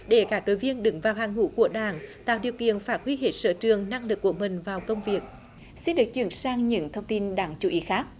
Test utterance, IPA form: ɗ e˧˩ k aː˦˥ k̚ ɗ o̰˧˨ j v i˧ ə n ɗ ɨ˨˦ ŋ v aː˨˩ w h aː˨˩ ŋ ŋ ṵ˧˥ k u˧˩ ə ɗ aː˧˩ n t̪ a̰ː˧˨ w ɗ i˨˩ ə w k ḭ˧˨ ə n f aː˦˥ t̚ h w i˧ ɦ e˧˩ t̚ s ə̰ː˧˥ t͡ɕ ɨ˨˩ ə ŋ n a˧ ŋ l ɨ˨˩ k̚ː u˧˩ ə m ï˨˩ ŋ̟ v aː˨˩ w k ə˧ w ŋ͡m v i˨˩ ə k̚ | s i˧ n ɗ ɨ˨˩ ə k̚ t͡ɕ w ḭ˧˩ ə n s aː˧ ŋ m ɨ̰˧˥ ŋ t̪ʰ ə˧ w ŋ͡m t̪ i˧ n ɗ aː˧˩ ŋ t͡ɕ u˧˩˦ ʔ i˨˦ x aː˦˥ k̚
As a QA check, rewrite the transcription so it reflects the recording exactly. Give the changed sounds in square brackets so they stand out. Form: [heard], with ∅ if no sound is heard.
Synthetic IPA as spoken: ɗ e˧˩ k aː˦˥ k̚ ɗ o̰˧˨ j v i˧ ə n ɗ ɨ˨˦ ŋ v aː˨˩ w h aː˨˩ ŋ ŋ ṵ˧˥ k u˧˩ ə ɗ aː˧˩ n t̪ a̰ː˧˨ w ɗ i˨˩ ə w k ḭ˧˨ ə n f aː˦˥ t̚ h w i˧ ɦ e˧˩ t̚ s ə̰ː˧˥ t͡ɕ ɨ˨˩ ə ŋ n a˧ ŋ l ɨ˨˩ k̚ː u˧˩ ə m ï˨˩ ŋ̟ v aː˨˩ w k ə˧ w ŋ͡m v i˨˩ ə k̚ | s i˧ n ɗ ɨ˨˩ ə k̚ t͡ɕ w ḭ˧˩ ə n s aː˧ ŋ [ɲ] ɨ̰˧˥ ŋ t̪ʰ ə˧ w ŋ͡m t̪ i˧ n ɗ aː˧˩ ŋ t͡ɕ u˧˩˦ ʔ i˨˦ x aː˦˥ k̚